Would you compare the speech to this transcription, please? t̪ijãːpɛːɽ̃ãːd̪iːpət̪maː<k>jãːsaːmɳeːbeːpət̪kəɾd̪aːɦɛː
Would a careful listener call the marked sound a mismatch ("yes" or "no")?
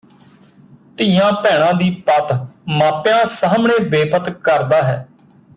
yes